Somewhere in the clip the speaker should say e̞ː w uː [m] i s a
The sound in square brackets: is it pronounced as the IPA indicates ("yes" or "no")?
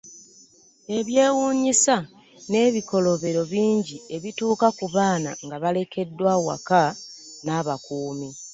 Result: no